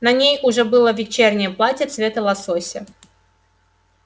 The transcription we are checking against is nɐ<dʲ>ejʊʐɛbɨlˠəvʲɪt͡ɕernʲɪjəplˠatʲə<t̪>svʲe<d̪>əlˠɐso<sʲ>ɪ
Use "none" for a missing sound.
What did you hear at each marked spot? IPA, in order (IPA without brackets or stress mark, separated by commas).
nʲ, t̪, t̪, sʲ